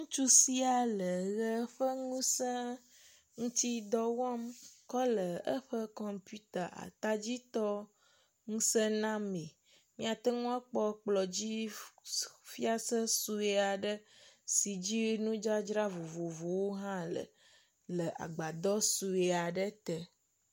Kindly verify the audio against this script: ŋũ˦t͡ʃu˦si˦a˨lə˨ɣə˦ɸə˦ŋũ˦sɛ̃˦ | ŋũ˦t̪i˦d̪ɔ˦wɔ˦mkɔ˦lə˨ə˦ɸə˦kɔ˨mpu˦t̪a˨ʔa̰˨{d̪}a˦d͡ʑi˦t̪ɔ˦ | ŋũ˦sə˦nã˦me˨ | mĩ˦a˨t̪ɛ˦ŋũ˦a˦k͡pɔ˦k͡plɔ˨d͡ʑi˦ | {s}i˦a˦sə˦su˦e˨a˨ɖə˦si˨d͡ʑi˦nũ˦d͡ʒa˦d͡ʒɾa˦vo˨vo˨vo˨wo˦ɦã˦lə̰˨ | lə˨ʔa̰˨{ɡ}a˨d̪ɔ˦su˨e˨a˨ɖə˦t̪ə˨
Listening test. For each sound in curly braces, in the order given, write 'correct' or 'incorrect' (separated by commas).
incorrect, incorrect, incorrect